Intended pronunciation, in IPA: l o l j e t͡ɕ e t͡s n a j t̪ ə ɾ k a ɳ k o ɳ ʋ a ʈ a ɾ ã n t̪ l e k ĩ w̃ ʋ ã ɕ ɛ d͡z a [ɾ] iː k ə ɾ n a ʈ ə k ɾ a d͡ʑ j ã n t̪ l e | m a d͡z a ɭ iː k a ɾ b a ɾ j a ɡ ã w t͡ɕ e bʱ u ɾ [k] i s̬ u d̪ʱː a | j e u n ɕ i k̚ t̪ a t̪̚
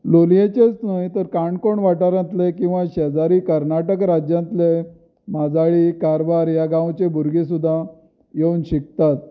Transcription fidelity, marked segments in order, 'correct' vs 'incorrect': correct, incorrect

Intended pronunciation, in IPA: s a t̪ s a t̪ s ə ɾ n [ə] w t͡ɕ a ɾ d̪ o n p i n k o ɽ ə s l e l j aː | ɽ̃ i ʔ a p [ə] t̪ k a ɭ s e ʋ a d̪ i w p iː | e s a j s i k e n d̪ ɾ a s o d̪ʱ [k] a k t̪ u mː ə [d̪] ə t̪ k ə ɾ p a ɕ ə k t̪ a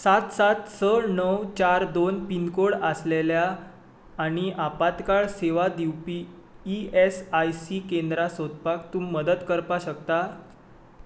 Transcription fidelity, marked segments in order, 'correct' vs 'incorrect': correct, incorrect, incorrect, correct

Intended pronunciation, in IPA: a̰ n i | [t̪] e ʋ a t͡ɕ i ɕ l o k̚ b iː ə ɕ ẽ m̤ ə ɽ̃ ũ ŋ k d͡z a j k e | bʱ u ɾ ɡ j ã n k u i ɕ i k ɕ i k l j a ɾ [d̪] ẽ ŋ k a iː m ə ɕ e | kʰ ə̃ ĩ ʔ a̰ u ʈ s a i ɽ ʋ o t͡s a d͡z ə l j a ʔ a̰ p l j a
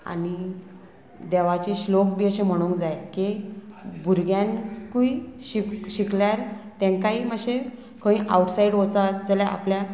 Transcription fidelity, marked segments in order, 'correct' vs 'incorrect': incorrect, incorrect

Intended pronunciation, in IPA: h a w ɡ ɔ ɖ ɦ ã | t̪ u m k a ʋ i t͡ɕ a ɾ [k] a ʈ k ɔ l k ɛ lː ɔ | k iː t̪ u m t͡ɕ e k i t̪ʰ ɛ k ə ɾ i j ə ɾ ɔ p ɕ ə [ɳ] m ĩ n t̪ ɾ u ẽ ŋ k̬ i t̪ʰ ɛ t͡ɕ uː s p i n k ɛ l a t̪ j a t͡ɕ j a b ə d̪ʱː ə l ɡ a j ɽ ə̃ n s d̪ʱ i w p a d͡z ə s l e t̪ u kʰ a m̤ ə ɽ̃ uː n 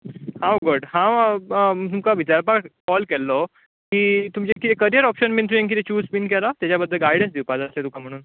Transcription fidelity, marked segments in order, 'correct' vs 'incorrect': incorrect, incorrect

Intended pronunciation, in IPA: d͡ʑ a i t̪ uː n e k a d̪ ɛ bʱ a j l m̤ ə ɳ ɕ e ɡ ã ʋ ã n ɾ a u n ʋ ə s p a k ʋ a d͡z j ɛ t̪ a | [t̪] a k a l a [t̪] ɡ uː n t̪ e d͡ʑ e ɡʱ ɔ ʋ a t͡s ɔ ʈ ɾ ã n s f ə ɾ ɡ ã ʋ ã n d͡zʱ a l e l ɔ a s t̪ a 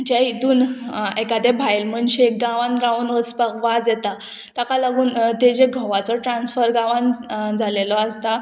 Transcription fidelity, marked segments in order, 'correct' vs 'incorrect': correct, incorrect

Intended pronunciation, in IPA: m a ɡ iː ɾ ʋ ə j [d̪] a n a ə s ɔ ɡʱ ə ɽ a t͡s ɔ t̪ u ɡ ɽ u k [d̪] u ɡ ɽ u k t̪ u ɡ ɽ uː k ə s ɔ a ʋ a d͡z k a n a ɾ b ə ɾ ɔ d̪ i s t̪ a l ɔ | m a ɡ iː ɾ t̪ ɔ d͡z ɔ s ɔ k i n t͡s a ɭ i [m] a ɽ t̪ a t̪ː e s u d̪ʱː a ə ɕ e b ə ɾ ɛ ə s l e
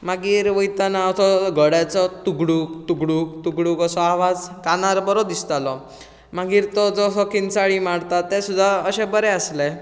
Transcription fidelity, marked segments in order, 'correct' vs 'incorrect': incorrect, incorrect, correct

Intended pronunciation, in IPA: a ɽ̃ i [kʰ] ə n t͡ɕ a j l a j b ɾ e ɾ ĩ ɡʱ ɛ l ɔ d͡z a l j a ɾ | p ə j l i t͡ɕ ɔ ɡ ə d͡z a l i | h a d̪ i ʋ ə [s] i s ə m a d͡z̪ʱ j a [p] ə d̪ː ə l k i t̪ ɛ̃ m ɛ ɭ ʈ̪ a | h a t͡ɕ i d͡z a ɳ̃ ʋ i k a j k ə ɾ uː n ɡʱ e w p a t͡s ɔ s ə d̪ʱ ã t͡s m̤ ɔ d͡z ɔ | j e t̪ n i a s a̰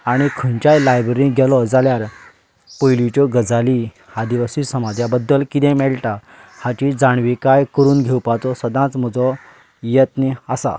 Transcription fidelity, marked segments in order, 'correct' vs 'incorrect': correct, correct, incorrect

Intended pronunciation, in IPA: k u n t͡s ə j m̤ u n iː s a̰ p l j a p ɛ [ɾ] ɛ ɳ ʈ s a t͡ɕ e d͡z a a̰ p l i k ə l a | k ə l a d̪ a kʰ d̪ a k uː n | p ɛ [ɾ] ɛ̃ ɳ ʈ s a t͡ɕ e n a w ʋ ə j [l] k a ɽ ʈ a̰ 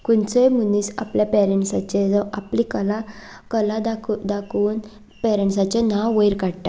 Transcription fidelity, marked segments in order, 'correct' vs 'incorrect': correct, correct, incorrect

